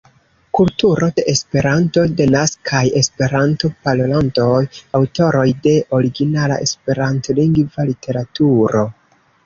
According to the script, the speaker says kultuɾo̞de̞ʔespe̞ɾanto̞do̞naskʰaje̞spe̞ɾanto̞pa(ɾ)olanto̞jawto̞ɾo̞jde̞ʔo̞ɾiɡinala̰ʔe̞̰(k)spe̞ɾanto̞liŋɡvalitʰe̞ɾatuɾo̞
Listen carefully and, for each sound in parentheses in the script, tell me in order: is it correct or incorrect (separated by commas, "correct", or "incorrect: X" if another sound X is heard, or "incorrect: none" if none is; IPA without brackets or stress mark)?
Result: incorrect: l, incorrect: none